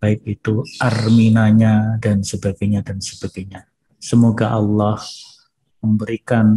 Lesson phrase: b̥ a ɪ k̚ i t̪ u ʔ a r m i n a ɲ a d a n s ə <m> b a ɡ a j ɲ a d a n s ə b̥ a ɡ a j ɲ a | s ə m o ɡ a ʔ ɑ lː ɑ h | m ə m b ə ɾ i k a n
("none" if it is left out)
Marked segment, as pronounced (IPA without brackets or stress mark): none